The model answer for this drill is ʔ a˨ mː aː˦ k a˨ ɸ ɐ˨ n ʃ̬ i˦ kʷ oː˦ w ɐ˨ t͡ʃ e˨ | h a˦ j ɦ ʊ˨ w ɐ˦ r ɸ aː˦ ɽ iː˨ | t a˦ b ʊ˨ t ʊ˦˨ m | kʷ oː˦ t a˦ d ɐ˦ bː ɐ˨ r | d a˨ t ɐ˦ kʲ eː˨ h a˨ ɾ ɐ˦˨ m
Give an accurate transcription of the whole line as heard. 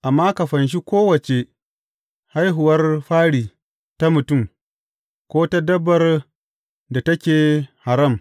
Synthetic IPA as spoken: ʔ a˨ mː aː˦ k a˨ ɸ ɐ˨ n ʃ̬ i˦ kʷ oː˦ w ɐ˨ t͡ʃ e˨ | h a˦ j ɦ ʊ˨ w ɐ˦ r ɸ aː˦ ɽ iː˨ | t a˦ m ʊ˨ t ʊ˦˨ m | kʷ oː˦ t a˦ d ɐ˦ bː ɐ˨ r | d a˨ t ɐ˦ kʲ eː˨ h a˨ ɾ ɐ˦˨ m